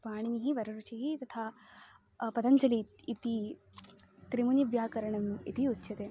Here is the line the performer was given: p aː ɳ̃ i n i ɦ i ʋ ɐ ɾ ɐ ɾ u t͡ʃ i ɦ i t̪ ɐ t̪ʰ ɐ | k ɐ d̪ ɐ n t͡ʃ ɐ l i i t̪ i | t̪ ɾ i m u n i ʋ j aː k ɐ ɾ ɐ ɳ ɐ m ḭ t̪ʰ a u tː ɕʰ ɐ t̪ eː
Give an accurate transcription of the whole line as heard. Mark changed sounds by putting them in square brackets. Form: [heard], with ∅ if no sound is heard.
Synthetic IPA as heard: p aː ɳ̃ i n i ɦ i ʋ ɐ ɾ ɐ ɾ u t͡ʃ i ɦ i t̪ ɐ t̪ʰ [a] | [p] ɐ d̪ ɐ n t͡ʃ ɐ l i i t̪ i | t̪ ɾ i m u n i ʋ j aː k ɐ ɾ ɐ ɳ ɐ m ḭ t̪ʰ [i] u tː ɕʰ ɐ t̪ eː